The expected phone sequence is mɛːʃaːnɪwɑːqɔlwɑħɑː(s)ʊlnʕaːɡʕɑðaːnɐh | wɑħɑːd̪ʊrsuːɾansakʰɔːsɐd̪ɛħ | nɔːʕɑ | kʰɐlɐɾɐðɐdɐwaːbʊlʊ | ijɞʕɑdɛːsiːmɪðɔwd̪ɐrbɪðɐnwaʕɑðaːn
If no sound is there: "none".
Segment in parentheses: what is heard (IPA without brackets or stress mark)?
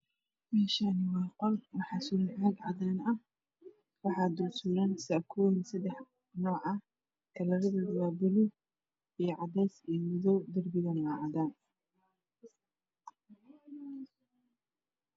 s